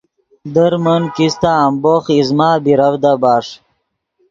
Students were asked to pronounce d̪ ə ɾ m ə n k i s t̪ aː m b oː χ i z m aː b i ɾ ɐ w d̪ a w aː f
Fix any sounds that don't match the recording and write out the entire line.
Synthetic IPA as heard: d̪ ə ɾ m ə n k i s t̪ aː m b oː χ i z m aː b i ɾ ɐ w d̪ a b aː ʂ

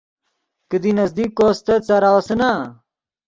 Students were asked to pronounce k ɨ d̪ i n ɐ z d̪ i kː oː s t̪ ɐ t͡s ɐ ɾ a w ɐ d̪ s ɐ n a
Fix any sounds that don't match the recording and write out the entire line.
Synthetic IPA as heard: k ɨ d̪ i n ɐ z d̪ i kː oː s t̪ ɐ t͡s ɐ ɾ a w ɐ s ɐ n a

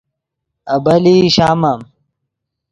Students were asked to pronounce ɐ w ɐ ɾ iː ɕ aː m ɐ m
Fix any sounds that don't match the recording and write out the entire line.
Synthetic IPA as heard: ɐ b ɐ l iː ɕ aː m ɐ m

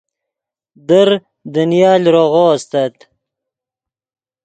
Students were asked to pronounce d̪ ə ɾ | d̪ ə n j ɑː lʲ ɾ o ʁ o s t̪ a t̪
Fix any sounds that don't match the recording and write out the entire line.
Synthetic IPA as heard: d̪ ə ɾ | d̪ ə n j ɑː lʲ ɾ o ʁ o s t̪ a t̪

